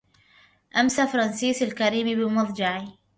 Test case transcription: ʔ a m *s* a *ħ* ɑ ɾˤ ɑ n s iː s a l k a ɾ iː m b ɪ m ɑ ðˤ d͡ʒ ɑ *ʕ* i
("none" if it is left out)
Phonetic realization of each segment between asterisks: s, f, ʕ

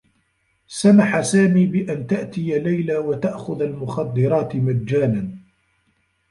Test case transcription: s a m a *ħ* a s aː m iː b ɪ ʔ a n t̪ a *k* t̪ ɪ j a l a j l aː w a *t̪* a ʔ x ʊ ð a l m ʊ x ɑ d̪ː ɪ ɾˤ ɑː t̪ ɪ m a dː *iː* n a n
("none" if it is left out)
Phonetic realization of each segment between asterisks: ħ, ʔ, t̪, aː

